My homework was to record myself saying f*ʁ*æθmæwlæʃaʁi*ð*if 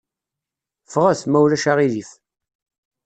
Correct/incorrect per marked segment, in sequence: correct, correct

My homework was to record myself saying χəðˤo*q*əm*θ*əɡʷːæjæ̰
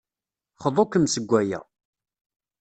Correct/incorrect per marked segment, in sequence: incorrect, incorrect

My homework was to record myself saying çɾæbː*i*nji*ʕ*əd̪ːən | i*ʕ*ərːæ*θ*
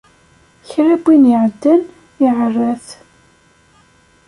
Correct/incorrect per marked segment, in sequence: correct, correct, correct, correct

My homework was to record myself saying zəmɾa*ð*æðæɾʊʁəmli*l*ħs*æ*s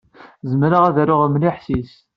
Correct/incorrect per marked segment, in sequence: incorrect, incorrect, incorrect

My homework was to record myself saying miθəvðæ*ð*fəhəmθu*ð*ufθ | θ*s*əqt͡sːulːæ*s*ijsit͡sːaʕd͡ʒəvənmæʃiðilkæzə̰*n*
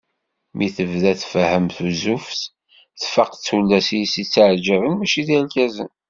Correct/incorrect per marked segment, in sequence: incorrect, incorrect, incorrect, correct, correct

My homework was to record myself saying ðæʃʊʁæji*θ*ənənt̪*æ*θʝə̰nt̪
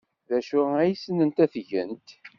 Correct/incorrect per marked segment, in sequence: incorrect, correct

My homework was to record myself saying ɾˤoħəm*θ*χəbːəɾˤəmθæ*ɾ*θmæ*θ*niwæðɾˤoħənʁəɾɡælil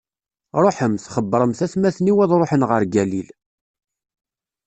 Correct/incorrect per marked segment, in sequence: correct, incorrect, correct

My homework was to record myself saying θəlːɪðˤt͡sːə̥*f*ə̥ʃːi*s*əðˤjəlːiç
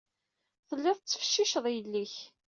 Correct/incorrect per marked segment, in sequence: correct, incorrect

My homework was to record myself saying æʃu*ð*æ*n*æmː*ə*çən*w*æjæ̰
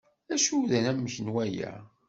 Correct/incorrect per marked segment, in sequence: correct, correct, correct, correct

